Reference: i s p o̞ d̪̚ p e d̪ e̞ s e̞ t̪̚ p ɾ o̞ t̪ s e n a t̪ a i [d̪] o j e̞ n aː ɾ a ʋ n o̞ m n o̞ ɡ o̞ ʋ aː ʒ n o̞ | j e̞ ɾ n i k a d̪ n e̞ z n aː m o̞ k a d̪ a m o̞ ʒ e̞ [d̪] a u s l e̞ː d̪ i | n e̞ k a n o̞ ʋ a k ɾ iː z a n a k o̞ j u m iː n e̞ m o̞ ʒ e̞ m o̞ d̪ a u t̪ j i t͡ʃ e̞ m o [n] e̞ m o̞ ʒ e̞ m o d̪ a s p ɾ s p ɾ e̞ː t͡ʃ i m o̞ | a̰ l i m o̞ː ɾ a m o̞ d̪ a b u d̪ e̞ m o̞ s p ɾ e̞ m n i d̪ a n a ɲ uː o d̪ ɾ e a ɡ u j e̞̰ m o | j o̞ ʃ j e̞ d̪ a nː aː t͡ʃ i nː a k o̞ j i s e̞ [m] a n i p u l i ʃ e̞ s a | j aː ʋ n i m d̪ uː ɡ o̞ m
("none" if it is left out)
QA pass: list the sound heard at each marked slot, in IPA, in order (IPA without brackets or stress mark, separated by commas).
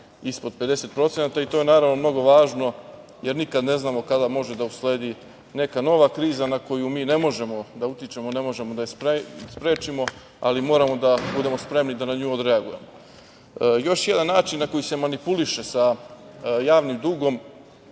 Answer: t̪, d̪, n, m